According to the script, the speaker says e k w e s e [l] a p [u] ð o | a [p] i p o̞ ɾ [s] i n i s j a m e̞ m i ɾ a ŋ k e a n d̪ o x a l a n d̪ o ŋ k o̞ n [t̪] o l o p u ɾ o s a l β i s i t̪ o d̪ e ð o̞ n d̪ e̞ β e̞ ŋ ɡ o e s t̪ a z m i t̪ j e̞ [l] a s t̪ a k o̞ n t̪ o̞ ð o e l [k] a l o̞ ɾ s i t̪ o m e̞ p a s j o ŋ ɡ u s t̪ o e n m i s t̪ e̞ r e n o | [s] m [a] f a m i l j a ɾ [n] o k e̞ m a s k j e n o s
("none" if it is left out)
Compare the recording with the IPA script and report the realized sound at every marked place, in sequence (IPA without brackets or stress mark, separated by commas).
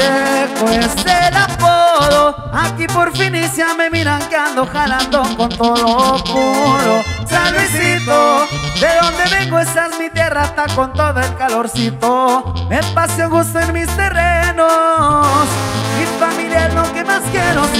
l, o, k, f, t̪, r, k, s, i, n